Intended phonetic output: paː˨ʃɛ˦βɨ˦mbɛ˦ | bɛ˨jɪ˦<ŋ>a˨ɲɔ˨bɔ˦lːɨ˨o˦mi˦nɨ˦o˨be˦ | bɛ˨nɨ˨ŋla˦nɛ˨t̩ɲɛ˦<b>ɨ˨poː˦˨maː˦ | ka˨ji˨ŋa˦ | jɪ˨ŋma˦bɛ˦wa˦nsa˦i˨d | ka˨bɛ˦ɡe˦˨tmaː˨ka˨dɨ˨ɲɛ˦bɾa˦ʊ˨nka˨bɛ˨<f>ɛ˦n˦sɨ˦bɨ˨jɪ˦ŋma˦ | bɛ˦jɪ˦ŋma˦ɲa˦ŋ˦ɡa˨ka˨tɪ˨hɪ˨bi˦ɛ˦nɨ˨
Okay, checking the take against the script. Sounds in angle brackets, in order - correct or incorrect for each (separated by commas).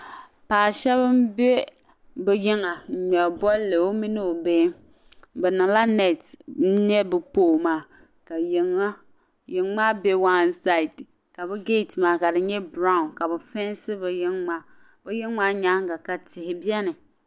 correct, correct, correct